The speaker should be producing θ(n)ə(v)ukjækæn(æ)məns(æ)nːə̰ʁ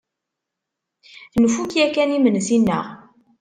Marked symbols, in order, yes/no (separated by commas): yes, no, no, no